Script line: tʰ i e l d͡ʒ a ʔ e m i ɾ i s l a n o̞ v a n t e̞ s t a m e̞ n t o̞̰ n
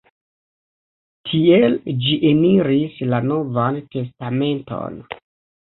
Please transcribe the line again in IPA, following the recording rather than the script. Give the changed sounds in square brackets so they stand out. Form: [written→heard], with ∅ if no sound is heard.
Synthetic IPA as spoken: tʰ i e l d͡ʒ [a→i] ʔ e [m→n] i ɾ i s l a n o̞ v a n t e̞ s t a m e̞ n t o̞̰ n